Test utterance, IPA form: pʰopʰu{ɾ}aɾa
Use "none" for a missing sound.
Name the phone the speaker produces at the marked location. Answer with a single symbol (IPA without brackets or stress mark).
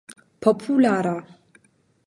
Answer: l